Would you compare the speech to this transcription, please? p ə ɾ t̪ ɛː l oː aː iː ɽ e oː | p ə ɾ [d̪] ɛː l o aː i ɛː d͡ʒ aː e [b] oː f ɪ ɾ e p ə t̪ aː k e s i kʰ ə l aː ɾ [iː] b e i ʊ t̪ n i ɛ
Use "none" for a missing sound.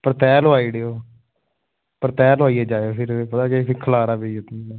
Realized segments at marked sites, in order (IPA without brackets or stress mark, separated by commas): t̪, none, aː